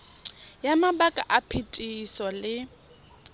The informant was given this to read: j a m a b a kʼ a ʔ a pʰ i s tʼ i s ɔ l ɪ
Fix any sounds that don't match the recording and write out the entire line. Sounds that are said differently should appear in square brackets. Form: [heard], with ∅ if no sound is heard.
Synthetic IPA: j a m a b a kʼ a ʔ a pʰ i [∅] tʼ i s ɔ l ɪ